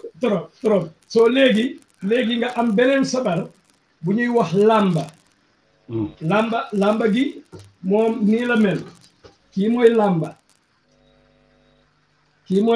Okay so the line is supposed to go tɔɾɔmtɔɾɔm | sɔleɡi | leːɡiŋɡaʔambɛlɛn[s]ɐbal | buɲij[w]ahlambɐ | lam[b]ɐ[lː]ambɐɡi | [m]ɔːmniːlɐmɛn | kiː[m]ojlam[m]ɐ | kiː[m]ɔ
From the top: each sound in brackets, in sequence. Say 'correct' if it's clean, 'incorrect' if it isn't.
correct, correct, correct, incorrect: l, correct, correct, incorrect: b, correct

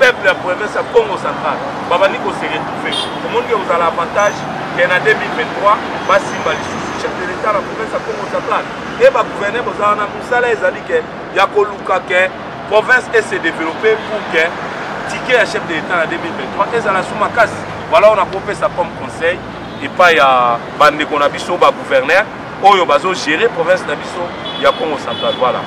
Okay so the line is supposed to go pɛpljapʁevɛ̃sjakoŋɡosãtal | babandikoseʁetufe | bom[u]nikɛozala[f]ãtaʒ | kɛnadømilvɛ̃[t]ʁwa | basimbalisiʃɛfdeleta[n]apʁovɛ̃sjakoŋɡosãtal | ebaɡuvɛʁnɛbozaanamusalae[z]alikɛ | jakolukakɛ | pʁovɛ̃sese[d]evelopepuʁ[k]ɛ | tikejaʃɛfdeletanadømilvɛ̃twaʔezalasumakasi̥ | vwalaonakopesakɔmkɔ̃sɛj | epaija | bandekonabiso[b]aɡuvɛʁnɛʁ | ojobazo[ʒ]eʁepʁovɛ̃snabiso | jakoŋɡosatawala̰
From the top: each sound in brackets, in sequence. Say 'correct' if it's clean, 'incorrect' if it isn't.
incorrect: ɔ, incorrect: v, correct, correct, correct, correct, correct, correct, correct

